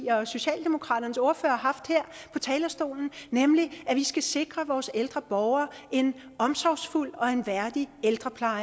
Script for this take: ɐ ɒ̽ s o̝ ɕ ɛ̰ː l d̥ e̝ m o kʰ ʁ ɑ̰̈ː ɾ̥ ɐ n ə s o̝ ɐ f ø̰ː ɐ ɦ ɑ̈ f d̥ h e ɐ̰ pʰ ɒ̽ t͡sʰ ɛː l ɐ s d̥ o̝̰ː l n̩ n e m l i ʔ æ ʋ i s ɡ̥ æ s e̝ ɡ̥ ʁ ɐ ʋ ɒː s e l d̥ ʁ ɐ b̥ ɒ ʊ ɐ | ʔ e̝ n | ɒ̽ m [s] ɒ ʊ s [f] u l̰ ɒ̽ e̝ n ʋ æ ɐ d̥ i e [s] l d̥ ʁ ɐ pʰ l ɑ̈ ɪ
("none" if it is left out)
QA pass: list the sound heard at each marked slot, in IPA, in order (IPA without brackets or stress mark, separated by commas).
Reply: s, f, none